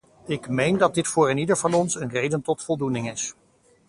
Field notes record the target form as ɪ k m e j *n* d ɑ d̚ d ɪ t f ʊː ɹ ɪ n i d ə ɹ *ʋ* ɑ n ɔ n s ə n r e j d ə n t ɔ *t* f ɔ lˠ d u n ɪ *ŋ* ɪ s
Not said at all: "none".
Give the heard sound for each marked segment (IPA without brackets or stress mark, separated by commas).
n, v, t, ŋ